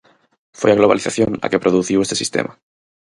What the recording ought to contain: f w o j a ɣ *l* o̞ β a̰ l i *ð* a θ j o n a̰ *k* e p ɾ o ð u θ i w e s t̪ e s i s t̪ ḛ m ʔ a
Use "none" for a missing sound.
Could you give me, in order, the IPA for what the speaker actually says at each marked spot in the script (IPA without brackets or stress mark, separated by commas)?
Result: l, θ, k